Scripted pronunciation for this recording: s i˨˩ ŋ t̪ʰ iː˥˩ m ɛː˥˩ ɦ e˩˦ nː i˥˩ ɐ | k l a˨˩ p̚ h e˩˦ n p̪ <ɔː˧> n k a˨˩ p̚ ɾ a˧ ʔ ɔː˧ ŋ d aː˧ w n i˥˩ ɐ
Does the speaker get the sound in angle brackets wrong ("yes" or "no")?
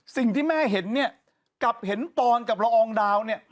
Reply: no